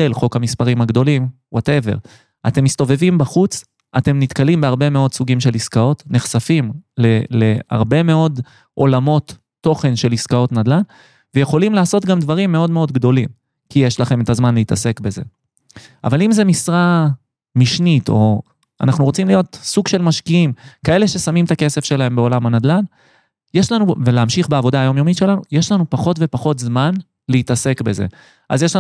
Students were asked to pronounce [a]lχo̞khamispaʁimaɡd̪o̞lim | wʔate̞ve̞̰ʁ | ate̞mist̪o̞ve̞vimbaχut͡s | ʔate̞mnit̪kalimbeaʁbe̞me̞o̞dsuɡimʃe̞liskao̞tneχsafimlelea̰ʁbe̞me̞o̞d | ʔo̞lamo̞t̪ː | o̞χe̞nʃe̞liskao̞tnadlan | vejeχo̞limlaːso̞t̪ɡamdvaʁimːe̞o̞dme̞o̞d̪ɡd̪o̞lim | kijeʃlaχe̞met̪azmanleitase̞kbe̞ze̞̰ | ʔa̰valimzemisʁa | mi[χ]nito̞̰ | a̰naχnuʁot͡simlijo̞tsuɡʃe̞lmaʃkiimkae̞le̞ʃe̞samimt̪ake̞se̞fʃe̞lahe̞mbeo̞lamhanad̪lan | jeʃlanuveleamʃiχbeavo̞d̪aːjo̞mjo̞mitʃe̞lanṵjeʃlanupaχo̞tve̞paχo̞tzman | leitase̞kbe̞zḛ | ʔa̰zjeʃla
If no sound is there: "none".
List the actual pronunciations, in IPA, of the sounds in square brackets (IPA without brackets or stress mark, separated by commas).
e, ʃ